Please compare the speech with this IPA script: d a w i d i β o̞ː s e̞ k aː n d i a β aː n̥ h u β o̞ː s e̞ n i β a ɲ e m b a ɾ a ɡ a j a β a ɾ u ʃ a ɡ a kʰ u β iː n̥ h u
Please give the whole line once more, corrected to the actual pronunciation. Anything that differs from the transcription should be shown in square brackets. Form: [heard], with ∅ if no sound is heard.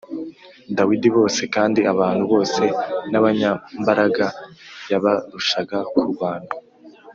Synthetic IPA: d a w i d i β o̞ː s e̞ k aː n d i a β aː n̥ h u β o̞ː s e̞ n [a] β a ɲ [a] m b a ɾ a ɡ a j a β a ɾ u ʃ a ɡ a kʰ u β [aː] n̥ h u